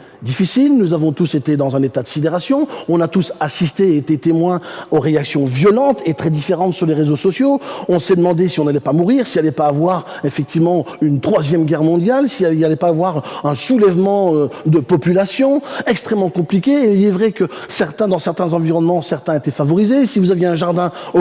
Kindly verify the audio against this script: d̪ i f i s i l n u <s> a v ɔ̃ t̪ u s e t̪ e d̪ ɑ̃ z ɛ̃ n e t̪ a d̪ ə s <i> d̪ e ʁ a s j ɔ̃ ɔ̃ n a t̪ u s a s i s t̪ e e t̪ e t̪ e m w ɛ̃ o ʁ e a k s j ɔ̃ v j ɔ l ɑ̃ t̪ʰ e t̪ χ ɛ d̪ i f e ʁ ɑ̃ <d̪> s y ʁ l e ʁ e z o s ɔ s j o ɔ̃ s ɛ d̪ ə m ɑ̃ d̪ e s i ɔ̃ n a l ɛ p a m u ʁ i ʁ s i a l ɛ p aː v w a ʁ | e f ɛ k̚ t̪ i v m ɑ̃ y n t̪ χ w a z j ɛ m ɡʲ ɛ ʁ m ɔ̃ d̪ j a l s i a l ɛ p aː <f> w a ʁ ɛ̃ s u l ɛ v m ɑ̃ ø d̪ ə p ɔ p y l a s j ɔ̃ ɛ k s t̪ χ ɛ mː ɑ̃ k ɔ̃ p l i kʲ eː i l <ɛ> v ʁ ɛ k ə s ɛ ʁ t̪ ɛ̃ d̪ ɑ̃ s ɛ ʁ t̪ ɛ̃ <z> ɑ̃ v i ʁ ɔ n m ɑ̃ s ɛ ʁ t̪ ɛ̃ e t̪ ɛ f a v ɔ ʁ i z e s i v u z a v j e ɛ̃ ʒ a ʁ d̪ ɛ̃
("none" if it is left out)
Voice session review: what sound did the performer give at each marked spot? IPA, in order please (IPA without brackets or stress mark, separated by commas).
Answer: z, i, t̪, v, ɛ, z